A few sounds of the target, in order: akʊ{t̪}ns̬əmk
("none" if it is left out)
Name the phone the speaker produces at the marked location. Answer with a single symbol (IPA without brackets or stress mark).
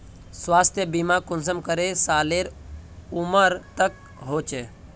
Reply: none